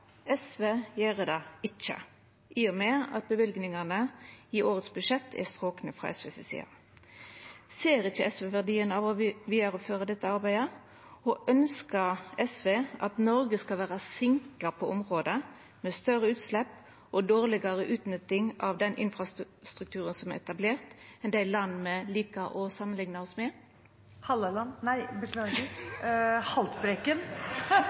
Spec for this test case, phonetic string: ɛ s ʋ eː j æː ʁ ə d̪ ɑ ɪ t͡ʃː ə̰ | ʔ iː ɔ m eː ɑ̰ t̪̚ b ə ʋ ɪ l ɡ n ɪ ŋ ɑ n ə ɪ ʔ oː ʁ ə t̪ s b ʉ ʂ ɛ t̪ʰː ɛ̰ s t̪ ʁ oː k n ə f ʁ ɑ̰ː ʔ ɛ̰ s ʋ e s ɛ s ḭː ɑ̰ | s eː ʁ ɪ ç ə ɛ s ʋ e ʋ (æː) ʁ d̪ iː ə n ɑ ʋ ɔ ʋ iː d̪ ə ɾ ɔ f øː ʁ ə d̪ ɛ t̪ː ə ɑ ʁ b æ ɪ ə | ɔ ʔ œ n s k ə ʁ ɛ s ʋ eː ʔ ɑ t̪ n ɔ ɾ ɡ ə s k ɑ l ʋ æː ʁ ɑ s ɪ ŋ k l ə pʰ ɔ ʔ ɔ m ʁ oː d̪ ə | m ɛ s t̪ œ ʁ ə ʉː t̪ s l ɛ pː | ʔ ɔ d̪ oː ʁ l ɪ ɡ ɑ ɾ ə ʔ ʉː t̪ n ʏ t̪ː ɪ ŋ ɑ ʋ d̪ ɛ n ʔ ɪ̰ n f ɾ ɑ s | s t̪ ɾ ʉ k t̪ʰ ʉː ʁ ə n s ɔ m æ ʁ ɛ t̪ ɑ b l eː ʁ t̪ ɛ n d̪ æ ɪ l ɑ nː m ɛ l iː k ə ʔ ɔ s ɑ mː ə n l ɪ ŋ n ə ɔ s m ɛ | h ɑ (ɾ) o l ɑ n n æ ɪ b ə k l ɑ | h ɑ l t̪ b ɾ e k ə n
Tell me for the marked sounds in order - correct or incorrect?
incorrect: æ, incorrect: l

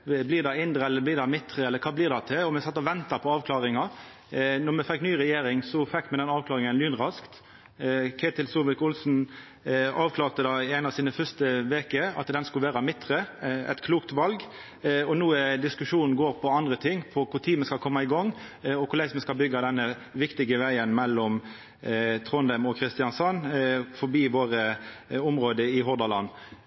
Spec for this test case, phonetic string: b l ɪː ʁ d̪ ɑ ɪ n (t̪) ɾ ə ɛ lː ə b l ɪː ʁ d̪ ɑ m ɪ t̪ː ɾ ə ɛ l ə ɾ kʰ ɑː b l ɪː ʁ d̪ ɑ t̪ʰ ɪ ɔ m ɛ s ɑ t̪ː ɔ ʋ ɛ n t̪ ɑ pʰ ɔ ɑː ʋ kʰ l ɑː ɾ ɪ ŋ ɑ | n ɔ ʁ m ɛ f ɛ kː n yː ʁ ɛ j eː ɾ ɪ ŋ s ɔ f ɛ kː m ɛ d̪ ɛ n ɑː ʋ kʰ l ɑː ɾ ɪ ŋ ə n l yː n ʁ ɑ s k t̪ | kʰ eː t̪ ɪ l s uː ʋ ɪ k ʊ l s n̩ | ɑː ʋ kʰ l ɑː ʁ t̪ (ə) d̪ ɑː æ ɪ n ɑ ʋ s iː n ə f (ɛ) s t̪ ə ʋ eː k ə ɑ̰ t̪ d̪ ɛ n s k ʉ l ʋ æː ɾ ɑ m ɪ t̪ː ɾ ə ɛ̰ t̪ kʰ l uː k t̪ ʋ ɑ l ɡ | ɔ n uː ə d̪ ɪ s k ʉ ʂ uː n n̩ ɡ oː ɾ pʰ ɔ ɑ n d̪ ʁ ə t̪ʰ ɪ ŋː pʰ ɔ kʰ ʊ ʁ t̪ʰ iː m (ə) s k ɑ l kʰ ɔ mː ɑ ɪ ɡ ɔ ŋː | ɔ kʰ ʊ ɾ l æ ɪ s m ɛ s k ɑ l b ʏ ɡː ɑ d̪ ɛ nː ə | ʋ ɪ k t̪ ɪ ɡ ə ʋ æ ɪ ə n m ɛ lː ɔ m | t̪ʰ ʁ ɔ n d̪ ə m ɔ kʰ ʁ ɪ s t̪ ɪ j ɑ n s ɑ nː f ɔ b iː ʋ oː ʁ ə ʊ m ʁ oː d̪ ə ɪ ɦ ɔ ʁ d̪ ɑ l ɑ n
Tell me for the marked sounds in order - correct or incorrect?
incorrect: d̪, correct, incorrect: œ, correct

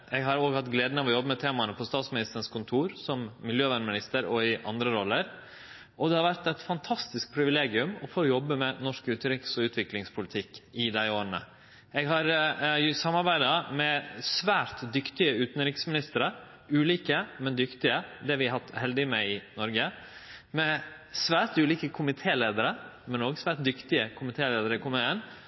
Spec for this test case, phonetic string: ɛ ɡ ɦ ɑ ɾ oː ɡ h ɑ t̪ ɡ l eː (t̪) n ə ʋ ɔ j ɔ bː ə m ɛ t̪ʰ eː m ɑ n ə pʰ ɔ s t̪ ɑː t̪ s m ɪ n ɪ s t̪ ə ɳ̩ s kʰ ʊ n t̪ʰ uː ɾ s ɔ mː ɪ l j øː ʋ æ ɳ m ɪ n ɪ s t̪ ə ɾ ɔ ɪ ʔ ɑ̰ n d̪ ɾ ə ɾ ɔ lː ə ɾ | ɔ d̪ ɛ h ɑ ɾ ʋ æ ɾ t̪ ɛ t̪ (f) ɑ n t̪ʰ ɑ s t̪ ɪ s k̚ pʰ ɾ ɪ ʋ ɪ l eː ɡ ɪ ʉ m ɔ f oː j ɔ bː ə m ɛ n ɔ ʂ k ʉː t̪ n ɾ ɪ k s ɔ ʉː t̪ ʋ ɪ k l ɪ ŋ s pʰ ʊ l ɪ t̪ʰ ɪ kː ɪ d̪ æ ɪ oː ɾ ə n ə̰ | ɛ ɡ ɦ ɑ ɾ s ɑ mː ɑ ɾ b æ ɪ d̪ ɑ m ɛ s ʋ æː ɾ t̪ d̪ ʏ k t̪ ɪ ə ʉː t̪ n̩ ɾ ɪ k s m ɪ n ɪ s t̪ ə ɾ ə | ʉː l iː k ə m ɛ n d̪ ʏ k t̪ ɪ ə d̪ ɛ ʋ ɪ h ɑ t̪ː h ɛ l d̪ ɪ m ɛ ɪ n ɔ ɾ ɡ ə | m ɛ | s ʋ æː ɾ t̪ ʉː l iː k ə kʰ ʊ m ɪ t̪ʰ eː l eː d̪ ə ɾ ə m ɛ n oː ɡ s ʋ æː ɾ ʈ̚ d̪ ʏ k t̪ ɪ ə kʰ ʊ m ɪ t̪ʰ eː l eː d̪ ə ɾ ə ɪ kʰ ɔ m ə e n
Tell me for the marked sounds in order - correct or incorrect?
incorrect: d̪, correct

